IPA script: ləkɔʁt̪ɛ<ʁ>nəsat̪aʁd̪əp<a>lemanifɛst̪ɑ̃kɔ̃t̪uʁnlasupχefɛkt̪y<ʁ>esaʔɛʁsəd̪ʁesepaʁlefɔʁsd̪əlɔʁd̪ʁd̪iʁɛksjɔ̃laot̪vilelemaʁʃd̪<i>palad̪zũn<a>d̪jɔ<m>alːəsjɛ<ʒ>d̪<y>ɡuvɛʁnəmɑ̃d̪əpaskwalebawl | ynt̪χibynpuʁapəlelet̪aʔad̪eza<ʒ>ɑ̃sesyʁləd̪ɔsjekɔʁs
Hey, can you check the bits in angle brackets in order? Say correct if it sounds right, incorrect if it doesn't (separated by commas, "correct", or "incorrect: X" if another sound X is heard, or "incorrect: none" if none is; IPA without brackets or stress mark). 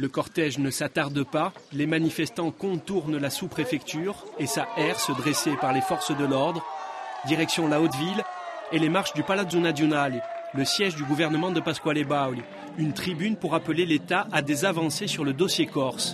incorrect: ʒ, correct, correct, incorrect: y, correct, incorrect: n, correct, correct, incorrect: v